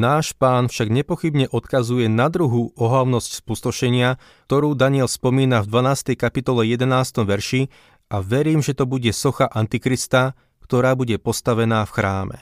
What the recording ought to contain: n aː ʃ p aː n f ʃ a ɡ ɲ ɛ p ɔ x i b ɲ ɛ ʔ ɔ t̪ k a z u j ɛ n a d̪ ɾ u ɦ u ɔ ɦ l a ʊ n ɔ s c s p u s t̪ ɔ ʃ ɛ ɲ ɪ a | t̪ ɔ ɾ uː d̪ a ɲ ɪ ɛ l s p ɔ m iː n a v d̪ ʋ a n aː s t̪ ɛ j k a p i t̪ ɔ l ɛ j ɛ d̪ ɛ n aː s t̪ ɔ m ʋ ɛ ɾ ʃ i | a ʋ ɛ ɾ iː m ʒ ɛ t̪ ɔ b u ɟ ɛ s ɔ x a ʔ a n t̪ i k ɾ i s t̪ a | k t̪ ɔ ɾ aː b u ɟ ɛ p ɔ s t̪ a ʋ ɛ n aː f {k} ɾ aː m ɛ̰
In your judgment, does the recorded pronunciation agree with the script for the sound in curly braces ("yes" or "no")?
no